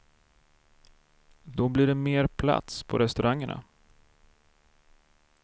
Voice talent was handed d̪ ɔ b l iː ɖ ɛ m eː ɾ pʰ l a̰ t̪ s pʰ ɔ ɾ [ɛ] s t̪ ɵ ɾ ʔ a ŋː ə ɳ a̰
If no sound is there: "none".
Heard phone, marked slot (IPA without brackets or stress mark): ɛ